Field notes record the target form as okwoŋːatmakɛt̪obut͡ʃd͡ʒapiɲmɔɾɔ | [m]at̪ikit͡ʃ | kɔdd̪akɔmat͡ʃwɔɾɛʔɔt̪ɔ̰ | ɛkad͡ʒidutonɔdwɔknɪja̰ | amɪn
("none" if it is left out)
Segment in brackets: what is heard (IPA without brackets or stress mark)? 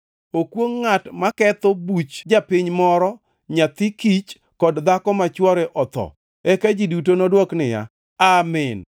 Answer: ɲ